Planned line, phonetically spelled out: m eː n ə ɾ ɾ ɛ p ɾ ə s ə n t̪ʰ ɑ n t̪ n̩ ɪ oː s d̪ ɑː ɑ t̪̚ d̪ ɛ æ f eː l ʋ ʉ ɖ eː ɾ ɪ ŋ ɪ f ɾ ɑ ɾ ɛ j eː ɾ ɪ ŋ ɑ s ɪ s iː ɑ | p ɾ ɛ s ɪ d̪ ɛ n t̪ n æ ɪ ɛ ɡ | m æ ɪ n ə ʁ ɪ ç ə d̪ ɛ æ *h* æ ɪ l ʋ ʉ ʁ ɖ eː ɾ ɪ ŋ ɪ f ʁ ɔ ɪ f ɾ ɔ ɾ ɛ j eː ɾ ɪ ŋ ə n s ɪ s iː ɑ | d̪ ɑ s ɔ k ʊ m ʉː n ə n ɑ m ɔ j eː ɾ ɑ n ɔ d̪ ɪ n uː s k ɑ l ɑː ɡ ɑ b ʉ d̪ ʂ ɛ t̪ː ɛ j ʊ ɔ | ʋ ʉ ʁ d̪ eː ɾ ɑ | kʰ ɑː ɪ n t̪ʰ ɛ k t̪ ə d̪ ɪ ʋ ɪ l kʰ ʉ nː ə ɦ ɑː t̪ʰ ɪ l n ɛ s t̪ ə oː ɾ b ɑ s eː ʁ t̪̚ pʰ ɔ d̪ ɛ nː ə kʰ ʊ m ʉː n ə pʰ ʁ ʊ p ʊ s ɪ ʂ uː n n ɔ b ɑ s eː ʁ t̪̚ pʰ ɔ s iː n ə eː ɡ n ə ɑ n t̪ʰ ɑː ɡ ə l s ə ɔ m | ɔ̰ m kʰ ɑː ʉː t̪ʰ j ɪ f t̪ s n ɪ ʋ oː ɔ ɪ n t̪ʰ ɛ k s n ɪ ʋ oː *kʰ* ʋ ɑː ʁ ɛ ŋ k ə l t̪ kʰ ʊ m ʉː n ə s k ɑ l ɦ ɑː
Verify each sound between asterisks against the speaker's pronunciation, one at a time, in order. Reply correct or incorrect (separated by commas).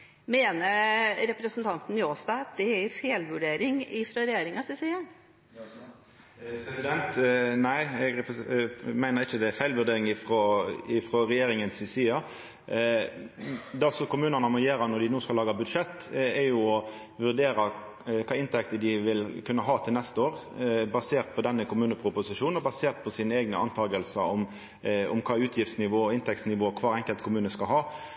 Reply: incorrect, correct